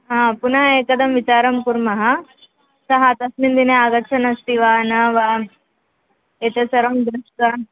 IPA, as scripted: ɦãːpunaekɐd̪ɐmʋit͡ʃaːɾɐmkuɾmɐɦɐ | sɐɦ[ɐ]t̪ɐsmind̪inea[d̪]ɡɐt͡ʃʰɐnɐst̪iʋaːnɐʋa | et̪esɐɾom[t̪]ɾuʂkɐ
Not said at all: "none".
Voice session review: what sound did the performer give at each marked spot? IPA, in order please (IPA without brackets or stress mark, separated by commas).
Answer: a, none, d̪